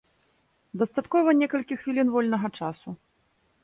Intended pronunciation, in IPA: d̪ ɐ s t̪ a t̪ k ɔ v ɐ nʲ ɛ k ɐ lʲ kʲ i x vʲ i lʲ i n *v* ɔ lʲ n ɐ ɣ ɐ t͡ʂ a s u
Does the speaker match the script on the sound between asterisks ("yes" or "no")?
yes